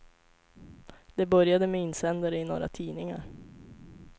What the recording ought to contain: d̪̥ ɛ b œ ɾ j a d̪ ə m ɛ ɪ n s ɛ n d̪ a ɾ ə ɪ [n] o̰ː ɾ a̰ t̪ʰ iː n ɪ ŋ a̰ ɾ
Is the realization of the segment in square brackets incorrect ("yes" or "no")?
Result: no